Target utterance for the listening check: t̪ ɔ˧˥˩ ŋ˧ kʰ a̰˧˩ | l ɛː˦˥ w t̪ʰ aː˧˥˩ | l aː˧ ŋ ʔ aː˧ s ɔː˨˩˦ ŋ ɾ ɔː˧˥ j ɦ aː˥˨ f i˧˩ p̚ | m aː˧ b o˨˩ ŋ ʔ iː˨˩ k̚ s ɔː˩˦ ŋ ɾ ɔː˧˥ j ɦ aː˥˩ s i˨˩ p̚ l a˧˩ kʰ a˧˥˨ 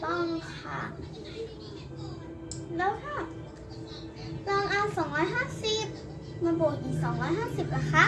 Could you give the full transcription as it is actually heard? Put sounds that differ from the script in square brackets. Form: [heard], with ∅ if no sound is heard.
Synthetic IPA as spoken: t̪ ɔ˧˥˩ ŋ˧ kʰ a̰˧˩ | l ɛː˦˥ w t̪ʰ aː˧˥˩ | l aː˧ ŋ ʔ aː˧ s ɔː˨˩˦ ŋ ɾ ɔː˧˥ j ɦ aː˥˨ [s] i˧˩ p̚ | m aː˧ b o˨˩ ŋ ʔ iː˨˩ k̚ s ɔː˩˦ ŋ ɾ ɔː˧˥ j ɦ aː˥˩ s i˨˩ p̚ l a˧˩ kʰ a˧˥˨